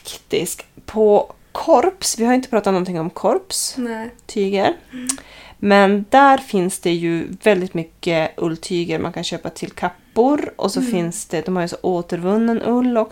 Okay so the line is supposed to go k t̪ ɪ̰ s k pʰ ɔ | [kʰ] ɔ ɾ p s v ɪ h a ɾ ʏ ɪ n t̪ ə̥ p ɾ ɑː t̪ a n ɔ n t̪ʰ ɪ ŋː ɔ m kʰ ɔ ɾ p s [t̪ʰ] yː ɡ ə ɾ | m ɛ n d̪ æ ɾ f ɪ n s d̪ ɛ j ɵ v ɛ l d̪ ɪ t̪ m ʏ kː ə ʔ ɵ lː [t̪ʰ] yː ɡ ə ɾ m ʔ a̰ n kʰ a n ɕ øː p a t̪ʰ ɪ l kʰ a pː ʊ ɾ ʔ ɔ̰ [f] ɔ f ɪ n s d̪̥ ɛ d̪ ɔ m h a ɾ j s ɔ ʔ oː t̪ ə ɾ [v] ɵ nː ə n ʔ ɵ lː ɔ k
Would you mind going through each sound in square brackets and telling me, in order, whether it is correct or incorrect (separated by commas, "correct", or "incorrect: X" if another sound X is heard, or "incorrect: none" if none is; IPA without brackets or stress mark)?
correct, correct, correct, incorrect: s, correct